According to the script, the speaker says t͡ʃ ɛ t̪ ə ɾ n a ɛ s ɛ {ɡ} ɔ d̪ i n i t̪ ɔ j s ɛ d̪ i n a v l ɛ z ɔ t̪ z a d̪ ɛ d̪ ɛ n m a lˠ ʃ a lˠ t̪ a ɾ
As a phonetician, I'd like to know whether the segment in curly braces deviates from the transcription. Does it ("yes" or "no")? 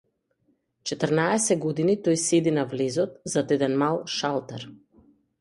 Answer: no